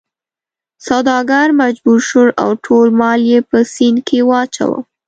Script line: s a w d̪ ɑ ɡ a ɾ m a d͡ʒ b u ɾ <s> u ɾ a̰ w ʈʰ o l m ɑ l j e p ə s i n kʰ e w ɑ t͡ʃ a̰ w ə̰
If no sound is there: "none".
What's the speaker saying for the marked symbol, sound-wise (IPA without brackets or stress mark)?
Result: ʃ